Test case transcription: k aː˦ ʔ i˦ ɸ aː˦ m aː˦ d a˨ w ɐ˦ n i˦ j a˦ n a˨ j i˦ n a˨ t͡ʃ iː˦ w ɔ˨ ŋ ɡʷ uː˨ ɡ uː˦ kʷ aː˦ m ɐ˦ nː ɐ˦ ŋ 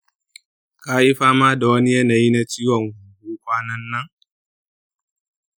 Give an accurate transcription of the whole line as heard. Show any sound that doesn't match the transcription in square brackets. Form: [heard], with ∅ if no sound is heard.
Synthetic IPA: k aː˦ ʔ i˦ ɸ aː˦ m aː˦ d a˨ w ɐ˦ n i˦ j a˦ n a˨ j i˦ n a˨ t͡ʃ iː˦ w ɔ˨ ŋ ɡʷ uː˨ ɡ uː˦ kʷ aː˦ [n] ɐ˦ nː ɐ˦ ŋ